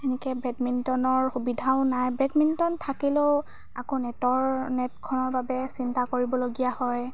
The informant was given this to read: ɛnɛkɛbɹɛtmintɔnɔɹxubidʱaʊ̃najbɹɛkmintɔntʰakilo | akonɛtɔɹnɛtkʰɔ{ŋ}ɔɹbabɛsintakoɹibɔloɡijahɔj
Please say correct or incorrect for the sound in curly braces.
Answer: incorrect